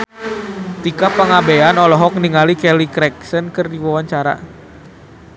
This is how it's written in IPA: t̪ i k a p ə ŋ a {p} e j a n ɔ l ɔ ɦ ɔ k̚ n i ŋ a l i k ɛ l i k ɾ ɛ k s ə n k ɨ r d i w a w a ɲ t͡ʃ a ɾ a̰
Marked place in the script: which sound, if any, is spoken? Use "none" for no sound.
b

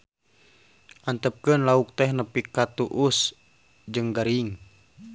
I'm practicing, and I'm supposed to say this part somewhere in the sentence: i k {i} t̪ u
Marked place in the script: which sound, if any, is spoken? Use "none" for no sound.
a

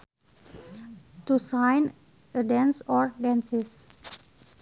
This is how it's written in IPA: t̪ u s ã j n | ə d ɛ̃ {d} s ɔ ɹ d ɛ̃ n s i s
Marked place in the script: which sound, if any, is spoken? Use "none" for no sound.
n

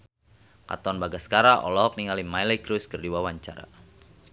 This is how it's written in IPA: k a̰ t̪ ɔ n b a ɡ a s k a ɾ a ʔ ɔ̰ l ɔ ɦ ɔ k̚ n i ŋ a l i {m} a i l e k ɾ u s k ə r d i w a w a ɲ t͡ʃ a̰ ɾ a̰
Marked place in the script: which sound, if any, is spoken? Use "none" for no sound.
m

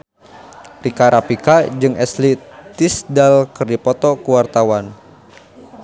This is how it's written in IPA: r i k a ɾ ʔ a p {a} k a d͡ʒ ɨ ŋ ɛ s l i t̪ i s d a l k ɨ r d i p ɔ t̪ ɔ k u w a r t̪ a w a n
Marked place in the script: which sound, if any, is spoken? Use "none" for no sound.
i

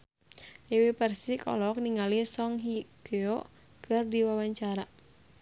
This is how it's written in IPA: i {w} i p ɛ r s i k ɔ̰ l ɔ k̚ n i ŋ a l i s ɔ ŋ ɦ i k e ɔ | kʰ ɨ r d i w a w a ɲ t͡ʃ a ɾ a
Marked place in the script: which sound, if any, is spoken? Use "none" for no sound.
w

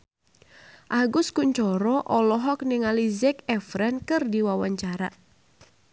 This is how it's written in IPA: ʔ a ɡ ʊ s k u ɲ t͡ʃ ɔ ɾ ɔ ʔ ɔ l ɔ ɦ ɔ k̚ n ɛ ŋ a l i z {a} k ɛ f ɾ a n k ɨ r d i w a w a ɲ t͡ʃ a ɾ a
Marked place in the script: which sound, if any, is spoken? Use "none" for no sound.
ɛ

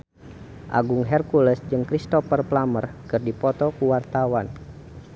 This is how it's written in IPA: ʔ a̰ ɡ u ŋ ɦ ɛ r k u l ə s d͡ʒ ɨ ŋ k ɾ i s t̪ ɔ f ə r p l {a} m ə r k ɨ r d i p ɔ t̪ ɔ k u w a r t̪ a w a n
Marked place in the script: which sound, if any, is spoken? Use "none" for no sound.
a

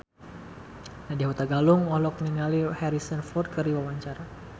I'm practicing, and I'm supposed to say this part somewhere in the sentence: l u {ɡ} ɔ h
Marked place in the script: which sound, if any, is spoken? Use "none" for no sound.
ŋ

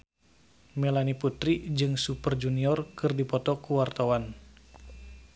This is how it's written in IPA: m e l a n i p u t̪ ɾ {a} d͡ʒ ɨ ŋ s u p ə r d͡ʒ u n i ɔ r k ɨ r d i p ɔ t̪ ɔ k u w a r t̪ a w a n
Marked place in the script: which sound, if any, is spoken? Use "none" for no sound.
i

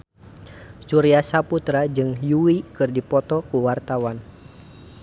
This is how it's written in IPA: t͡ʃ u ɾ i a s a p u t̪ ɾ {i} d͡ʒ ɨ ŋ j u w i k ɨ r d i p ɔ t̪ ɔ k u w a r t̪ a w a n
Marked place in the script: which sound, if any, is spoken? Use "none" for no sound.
a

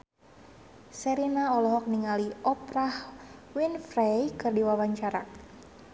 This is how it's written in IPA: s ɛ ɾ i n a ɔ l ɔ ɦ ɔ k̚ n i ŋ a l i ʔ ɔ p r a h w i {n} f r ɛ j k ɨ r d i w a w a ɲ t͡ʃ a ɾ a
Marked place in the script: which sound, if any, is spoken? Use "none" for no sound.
n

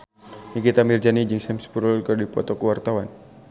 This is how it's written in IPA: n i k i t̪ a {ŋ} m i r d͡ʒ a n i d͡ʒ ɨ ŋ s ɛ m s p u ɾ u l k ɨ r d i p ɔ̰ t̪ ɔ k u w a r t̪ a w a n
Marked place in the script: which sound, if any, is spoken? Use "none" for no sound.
none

